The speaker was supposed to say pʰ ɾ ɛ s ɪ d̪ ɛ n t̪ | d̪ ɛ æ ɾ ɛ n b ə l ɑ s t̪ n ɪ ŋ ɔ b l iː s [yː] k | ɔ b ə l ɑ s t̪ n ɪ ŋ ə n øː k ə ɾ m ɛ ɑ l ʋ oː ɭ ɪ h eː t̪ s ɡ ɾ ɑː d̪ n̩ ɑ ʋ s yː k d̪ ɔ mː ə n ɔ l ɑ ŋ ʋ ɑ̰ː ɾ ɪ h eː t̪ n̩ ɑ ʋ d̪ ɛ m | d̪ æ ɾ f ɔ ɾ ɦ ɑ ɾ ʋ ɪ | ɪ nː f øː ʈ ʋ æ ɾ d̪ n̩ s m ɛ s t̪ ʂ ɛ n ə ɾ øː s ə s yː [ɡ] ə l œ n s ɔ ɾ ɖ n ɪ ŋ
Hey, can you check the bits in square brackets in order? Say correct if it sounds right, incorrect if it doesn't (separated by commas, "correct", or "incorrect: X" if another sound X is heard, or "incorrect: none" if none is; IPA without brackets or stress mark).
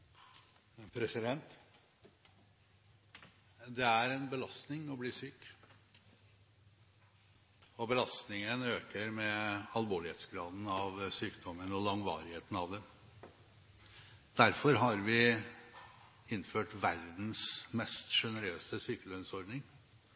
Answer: correct, incorrect: k